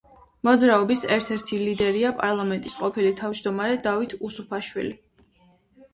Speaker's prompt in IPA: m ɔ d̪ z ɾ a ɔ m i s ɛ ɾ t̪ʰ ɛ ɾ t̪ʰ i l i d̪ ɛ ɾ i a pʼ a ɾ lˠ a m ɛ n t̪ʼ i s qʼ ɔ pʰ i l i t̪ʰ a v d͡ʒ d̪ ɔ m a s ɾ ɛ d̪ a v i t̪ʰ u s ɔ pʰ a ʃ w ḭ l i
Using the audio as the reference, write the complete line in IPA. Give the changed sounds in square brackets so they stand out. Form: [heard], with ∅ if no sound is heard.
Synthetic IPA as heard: m ɔ d̪ z ɾ a ɔ [b] i s ɛ ɾ t̪ʰ ɛ ɾ t̪ʰ i l i d̪ ɛ ɾ i a pʼ a ɾ lˠ a m ɛ n t̪ʼ i s qʼ ɔ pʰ i l i t̪ʰ a v d͡ʒ d̪ ɔ m a [∅] ɾ ɛ d̪ a v i t̪ʰ u s [u] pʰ a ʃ w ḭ l i